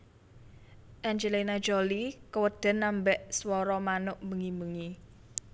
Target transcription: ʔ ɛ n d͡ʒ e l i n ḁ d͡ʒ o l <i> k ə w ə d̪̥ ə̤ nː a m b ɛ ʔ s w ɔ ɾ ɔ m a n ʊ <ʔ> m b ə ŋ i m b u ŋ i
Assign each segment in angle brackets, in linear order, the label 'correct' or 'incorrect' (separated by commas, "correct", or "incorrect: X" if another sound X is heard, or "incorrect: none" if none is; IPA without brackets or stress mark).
correct, correct